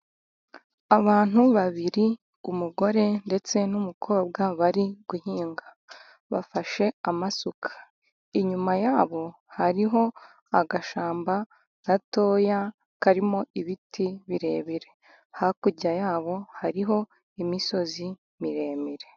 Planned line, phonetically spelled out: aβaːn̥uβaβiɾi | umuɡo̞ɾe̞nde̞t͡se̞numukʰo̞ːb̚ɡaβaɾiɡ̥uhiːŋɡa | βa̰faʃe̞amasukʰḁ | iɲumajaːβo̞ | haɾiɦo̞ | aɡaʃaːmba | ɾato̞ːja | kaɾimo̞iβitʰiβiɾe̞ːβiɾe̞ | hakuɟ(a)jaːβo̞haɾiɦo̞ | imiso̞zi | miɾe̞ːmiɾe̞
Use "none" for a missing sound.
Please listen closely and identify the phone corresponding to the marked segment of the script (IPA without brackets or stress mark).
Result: a